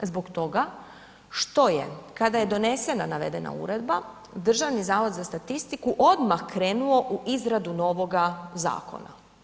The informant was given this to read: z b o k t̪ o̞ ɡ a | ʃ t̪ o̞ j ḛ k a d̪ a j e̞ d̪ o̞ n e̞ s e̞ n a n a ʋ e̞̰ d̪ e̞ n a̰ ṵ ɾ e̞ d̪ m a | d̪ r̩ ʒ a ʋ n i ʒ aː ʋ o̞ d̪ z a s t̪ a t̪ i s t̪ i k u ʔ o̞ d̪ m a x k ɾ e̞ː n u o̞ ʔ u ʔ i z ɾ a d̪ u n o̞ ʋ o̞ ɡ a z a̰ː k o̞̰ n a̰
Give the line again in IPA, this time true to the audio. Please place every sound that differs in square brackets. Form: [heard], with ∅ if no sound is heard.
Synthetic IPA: z b o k t̪ o̞ ɡ a | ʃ t̪ o̞ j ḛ k a d̪ a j e̞ d̪ o̞ n e̞ s e̞ n a n a ʋ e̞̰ d̪ e̞ n a̰ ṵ ɾ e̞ d̪ [b] a | d̪ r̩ ʒ a ʋ n i [z] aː ʋ o̞ d̪ z a s t̪ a t̪ i s t̪ i k u ʔ o̞ d̪ m a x k ɾ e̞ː n u o̞ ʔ u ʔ i z ɾ a d̪ u n o̞ ʋ o̞ ɡ a z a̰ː k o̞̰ n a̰